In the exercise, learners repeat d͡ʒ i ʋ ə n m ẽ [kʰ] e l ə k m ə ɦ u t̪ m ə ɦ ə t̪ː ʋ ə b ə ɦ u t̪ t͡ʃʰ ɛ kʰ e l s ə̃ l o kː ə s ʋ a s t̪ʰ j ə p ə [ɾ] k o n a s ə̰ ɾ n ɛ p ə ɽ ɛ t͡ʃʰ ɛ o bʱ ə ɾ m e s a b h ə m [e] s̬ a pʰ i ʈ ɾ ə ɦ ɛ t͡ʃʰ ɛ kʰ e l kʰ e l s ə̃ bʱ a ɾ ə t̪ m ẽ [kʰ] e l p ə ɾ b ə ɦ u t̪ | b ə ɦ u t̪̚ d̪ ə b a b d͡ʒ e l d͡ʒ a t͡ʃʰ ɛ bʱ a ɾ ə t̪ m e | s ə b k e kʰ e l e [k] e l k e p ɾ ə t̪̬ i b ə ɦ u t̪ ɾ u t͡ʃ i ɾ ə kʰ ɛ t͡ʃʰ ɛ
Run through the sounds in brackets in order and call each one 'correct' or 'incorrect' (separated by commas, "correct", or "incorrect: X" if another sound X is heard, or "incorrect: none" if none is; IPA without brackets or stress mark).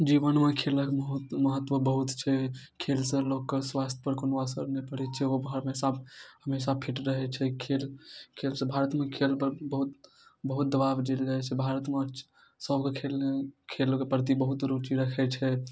correct, correct, correct, correct, incorrect: kʰ